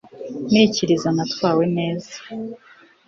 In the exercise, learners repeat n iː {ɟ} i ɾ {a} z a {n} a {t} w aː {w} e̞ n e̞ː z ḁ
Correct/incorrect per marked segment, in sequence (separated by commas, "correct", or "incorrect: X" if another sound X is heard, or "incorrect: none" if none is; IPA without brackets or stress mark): incorrect: c, incorrect: i, correct, correct, correct